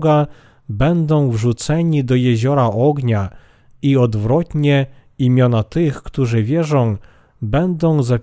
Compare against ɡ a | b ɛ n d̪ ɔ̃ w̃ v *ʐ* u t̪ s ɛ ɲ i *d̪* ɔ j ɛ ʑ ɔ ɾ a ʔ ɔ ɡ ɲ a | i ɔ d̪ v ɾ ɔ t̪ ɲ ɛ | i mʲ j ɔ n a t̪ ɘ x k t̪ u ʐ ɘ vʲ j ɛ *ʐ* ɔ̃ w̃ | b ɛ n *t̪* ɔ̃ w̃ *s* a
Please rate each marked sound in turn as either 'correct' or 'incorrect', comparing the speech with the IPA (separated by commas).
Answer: correct, correct, correct, incorrect, incorrect